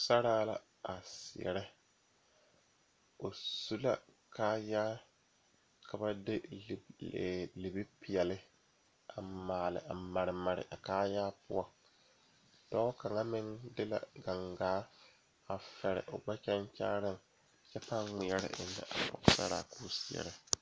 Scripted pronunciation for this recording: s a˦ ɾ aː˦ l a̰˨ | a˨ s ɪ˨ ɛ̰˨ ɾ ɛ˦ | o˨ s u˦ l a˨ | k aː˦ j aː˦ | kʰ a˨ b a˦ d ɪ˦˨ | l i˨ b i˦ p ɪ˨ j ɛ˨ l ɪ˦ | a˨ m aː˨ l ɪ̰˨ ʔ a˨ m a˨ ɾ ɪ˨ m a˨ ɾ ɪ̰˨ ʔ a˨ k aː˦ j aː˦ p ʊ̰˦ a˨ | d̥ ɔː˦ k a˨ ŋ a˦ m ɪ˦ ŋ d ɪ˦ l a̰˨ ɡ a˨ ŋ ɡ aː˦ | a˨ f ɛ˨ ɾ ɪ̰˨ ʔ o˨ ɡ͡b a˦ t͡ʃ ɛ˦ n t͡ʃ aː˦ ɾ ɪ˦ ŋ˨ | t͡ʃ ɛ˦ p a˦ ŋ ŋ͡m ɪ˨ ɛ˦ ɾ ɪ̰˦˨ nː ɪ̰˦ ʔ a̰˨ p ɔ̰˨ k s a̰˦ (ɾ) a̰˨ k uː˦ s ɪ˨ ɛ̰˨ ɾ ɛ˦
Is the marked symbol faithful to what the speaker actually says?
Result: yes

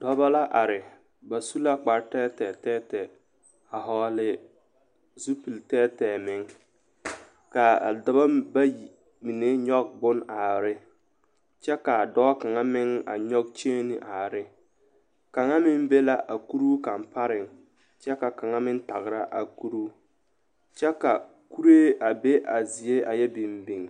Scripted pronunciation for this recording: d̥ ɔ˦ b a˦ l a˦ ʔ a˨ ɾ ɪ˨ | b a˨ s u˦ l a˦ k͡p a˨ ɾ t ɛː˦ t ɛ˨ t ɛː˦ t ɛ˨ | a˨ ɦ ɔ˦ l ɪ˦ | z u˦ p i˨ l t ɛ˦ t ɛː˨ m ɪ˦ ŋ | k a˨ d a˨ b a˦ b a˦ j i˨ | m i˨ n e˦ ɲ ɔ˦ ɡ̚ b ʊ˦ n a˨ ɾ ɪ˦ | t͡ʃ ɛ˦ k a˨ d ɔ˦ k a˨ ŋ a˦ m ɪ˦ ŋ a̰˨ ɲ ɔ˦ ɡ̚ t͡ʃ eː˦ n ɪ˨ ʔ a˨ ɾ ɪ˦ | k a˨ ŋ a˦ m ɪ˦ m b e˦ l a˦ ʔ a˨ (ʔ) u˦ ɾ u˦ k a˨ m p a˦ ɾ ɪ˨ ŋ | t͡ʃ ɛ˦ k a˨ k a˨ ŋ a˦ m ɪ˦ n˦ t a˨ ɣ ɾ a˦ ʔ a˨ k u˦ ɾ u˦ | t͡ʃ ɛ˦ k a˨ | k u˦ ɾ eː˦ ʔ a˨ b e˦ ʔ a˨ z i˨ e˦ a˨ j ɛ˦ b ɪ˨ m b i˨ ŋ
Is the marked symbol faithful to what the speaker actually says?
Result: no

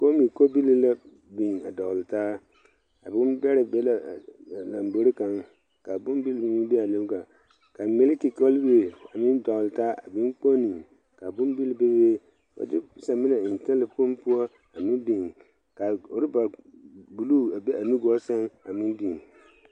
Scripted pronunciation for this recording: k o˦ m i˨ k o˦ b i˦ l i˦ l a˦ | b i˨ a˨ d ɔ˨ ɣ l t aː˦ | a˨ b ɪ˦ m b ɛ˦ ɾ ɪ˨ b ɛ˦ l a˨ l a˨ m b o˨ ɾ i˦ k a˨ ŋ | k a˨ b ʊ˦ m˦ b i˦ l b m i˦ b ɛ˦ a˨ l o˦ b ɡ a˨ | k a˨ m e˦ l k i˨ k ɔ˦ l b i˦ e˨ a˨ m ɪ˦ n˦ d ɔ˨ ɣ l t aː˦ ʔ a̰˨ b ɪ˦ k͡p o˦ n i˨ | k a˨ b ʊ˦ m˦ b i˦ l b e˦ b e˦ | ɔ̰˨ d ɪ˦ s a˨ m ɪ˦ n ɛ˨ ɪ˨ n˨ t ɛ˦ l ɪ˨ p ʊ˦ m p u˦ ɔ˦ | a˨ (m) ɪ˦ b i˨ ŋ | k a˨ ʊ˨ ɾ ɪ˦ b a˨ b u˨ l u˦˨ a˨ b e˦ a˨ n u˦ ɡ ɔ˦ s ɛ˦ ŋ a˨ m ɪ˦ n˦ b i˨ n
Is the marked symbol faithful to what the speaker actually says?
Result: yes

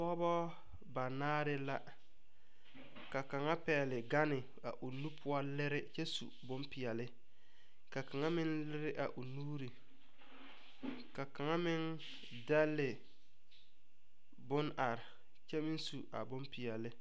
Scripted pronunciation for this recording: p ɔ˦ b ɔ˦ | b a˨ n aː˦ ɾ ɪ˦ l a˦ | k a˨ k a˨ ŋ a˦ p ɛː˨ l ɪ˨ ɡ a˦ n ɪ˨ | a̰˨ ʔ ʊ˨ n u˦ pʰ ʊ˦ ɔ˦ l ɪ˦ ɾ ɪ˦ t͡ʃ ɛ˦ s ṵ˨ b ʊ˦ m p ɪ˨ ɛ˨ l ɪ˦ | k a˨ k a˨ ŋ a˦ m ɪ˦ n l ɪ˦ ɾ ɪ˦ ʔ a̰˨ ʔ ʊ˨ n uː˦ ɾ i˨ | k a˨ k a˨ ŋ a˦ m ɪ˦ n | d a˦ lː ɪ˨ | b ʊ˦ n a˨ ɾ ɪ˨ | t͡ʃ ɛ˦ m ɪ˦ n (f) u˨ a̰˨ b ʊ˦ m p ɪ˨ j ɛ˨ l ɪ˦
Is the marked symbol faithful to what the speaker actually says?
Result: no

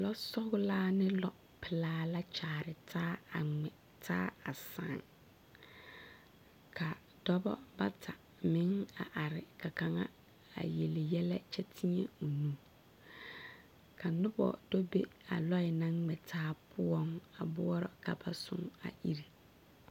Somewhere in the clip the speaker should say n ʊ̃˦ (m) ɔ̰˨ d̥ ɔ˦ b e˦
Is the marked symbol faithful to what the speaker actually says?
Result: no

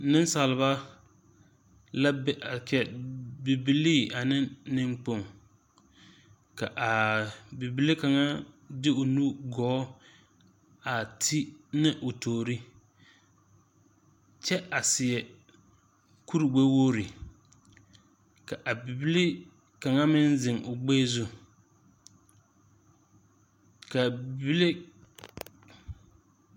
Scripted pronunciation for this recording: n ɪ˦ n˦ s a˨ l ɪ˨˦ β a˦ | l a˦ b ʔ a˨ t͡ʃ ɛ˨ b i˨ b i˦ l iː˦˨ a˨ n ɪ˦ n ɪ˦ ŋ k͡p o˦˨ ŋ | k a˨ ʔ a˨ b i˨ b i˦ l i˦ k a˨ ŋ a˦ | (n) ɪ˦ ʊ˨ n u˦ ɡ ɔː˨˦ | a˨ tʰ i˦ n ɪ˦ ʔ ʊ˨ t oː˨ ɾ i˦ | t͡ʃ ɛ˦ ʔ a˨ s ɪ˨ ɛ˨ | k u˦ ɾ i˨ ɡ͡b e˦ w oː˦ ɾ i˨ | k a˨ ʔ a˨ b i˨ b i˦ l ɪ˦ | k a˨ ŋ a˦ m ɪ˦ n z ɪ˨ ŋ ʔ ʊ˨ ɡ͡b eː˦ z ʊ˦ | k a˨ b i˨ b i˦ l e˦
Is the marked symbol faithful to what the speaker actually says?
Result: no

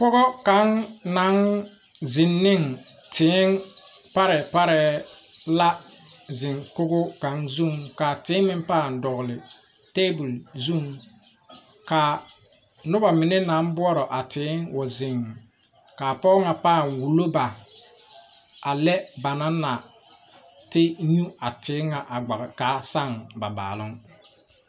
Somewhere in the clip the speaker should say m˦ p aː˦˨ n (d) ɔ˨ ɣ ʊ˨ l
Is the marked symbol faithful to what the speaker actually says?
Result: yes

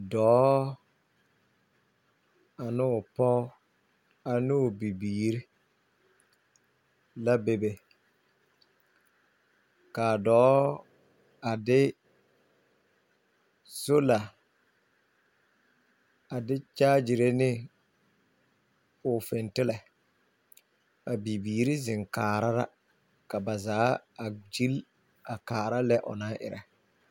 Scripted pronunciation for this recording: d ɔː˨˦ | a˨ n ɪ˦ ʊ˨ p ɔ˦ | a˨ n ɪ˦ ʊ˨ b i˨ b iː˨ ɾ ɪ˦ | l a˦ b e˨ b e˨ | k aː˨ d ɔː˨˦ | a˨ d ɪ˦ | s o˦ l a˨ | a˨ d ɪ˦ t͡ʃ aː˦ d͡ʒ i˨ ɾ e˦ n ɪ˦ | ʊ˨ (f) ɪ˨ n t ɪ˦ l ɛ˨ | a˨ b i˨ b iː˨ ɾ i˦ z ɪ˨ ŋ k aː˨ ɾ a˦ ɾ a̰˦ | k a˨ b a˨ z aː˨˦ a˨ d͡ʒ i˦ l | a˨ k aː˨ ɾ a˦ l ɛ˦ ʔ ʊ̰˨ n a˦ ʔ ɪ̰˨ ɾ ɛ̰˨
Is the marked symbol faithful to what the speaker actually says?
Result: yes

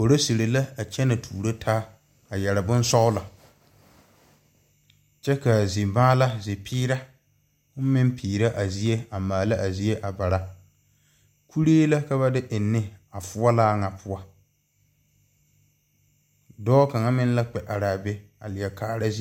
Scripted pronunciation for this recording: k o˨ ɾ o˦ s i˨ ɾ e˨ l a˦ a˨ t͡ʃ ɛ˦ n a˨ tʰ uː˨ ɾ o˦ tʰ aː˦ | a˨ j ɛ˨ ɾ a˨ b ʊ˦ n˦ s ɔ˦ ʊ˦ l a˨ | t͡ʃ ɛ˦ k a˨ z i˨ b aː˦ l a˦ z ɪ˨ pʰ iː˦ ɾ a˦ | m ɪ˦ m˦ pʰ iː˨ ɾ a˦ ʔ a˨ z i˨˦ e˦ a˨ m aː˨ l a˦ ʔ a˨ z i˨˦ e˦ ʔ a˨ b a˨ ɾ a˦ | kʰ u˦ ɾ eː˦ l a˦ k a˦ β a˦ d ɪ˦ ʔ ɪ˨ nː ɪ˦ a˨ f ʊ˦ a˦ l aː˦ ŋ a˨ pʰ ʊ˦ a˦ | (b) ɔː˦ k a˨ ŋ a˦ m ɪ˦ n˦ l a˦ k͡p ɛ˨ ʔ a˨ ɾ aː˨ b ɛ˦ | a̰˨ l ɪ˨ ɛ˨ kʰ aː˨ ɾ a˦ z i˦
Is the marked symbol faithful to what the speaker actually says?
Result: no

